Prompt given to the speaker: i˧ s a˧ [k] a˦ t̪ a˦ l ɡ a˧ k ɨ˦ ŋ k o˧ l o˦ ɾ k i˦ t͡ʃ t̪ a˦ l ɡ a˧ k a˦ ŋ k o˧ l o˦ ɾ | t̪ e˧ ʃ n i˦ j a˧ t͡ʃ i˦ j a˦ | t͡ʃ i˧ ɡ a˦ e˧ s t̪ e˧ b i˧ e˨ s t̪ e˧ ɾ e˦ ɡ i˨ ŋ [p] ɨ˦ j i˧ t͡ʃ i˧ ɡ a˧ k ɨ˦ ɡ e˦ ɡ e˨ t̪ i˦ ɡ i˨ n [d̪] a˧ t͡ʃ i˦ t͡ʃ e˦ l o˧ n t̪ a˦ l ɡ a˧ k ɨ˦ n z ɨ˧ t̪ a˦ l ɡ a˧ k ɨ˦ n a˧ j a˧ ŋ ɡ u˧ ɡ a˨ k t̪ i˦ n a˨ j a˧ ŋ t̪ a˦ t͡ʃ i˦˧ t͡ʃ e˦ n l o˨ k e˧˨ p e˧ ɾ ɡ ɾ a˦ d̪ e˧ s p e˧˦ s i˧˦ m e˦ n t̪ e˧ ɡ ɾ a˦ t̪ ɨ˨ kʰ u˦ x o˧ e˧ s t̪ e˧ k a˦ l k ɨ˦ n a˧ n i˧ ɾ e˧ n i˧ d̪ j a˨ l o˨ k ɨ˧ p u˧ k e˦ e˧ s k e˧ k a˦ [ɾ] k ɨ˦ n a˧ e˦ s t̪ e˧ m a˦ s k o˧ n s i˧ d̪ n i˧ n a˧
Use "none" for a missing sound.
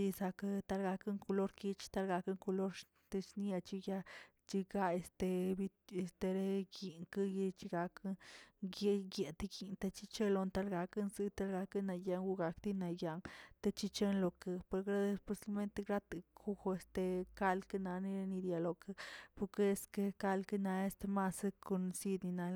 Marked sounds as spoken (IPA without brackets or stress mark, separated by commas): k, k, t̪, l